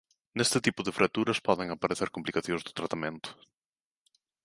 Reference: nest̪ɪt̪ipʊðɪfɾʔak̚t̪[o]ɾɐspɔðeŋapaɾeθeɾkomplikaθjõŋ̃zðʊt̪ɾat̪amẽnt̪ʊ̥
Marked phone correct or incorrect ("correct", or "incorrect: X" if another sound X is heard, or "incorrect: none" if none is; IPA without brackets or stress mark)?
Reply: incorrect: u